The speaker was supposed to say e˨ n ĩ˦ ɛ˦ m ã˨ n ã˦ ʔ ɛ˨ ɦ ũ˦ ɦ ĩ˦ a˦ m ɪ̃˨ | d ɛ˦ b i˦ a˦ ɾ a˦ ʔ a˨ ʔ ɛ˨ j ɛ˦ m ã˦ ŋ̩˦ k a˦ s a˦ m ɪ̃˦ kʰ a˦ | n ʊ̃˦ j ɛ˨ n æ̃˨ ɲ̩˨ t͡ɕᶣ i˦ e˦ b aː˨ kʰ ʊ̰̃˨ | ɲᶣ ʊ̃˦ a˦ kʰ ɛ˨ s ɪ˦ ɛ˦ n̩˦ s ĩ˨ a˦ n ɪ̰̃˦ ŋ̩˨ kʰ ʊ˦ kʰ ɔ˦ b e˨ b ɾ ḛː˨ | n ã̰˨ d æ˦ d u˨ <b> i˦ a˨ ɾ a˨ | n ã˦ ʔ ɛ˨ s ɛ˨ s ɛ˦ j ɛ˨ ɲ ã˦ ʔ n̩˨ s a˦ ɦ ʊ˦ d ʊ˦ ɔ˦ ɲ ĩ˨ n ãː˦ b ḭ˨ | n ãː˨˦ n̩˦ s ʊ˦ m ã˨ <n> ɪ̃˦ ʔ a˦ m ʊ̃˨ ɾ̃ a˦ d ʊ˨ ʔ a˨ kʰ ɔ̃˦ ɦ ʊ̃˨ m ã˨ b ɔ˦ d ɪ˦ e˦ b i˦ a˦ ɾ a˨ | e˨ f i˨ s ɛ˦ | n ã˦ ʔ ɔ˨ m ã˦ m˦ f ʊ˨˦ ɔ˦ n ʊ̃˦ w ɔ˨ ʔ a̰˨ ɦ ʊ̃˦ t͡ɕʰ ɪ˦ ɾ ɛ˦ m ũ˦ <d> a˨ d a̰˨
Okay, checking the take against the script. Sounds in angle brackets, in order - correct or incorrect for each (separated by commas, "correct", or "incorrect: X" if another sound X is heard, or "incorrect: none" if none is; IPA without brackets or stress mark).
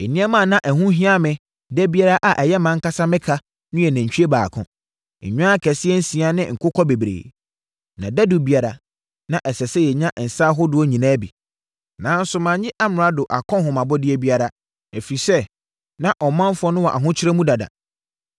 correct, incorrect: ɲ, correct